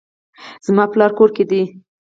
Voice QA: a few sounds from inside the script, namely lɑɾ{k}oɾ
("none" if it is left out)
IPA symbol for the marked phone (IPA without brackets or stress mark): k